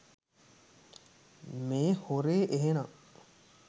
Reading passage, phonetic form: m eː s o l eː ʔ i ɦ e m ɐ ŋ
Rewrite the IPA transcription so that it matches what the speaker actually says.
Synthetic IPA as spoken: m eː h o ɾ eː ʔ e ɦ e n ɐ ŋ

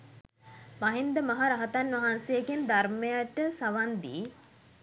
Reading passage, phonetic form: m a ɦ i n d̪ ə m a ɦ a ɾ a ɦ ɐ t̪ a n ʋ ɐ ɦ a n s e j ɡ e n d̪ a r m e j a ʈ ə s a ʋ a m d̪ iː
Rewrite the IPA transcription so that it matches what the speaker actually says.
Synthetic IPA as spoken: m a ɦ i n d̪ ə m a ɦ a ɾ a ɦ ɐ t̪ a n ʋ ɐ ɦ a n s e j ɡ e n d̪ a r m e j a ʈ ə s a ʋ a n d̪ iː

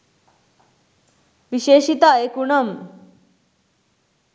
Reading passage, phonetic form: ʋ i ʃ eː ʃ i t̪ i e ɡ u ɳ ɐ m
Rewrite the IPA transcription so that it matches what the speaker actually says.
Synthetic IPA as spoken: ʋ i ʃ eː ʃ i t̪ a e k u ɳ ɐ m

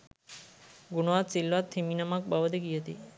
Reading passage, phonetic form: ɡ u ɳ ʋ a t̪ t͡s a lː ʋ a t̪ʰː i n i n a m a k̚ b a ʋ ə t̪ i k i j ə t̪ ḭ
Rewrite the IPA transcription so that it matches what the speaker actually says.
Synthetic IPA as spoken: ɡ u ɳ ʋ a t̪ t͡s i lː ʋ a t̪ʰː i m i n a m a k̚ b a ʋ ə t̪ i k i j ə t̪ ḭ

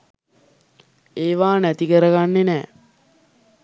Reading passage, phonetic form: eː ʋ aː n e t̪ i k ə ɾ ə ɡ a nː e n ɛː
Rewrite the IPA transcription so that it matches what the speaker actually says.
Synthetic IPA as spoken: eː ʋ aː n æ t̪ i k ə ɾ ə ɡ a nː e n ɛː

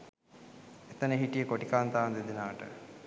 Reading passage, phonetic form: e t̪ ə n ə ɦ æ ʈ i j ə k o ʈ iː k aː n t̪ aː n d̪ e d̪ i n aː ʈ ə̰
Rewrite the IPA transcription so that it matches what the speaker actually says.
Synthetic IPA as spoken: e t̪ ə n ə ɦ i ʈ i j ə k o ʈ i k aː n t̪ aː n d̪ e d̪ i n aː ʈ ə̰

